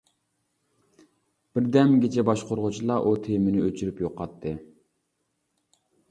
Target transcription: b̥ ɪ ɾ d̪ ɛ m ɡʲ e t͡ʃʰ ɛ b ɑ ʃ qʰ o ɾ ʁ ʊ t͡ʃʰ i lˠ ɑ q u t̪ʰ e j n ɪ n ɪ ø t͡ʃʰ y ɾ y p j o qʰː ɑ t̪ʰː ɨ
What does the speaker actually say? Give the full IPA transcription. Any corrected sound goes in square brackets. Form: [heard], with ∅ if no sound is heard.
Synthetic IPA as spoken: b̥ ɪ ɾ d̪ ɛ m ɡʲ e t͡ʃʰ ɛ b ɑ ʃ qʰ o ɾ ʁ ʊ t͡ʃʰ i lˠ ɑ [ʔ] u t̪ʰ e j [m] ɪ n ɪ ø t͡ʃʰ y ɾ y p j o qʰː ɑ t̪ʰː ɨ

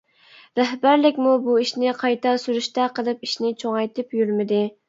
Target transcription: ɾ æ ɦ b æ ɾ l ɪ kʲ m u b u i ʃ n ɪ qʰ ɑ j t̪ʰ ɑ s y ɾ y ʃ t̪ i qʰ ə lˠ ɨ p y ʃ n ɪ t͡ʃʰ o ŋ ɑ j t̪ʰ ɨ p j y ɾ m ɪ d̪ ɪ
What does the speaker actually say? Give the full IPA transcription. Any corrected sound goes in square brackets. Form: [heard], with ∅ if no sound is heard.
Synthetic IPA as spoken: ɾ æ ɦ b æ ɾ l ɪ kʲ m u b u i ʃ n ɪ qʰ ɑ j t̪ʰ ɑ s y ɾ y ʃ t̪ [ɛ] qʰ ə lˠ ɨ p [i] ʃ n ɪ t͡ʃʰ o ŋ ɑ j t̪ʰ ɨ p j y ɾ m ɪ d̪ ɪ

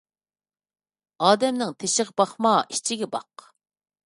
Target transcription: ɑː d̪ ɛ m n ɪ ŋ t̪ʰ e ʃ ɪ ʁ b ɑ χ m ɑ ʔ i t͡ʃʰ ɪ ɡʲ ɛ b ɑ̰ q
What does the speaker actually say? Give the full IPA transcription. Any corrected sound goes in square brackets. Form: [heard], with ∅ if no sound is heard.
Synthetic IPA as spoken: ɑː d̪ ɛ m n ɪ ŋ t̪ʰ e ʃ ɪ ʁ b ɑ χ m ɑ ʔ i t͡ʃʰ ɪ ɡʲ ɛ b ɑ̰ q

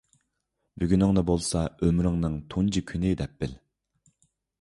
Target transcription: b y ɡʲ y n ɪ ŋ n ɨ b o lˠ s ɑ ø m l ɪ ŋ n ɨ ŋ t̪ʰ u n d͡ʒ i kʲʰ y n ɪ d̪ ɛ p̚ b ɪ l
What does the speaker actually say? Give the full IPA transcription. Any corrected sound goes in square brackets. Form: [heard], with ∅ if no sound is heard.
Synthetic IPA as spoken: b y ɡʲ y n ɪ ŋ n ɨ b o lˠ s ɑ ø m [ɾ] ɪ ŋ n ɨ ŋ t̪ʰ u n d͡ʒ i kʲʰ y n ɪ d̪ ɛ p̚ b ɪ l

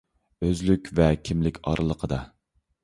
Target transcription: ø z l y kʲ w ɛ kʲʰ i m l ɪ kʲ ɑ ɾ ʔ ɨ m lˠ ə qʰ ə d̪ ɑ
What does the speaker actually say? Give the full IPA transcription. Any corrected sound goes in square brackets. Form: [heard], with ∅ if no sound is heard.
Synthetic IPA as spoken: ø z l y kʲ [v] ɛ kʲʰ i m l ɪ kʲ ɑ ɾ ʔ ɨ [∅] lˠ ə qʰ ə d̪ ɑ

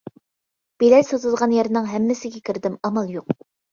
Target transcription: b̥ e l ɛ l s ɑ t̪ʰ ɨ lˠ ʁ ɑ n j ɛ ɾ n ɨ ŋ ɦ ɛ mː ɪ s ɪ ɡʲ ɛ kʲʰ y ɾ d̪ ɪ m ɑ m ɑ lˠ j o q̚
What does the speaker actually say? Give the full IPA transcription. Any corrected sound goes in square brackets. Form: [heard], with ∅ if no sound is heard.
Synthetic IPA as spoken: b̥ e l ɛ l s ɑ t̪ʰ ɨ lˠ ʁ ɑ n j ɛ ɾ n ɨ ŋ ɦ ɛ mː ɪ s ɪ ɡʲ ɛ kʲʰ [i] ɾ d̪ ɪ m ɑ m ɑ lˠ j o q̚

